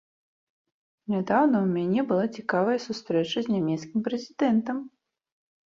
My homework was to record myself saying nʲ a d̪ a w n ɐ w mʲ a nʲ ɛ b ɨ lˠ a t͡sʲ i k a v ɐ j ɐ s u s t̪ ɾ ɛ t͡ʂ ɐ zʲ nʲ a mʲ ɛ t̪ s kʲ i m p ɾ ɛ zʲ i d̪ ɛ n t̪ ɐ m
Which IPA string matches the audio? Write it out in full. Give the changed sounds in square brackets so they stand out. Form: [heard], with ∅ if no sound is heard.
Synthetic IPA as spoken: nʲ a d̪ a w n ɐ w mʲ a nʲ ɛ b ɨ lˠ a t͡sʲ i k a v ɐ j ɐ s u s t̪ ɾ ɛ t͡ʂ ɐ zʲ nʲ a mʲ ɛ t̪ s kʲ i m p ɾ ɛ zʲ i d̪ ɛ n t̪ ɐ m